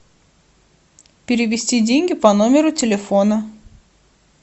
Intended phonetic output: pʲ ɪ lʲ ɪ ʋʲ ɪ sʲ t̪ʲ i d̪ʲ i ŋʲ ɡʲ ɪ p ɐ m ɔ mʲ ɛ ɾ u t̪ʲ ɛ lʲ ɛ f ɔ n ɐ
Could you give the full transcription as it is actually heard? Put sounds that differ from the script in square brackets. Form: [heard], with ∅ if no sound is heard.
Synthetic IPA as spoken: pʲ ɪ [ɾʲ] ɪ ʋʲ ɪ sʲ t̪ʲ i d̪ʲ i ŋʲ ɡʲ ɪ p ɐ [n] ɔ mʲ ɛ ɾ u t̪ʲ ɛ lʲ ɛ f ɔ n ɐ